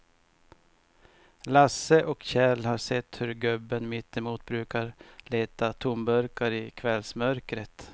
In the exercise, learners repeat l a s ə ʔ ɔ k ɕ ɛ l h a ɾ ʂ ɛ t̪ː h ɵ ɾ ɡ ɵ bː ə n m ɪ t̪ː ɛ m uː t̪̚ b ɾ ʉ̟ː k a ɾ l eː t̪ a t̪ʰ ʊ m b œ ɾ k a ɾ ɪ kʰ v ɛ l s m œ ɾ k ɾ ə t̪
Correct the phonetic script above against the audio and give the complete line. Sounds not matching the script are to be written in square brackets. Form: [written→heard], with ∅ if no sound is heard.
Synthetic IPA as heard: l a s ə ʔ ɔ k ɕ ɛ l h a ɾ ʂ ɛ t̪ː h ɵ ɾ ɡ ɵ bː ə n m ɪ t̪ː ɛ m uː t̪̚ b ɾ ʉ̟ː k a ɾ l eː t̪ a t̪ʰ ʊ m b œ ɾ k a ɾ ɪ kʰ v ɛ l s m œ ɾ k ɾ ə t̪